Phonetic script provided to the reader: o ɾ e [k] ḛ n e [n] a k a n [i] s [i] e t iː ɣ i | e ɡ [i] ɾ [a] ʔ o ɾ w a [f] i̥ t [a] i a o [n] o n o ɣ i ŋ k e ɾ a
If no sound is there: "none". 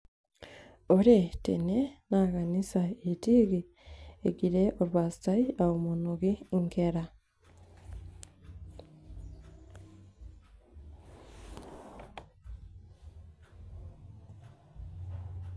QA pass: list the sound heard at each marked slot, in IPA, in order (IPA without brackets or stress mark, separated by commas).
t, n, i, a, i, e, s, a, m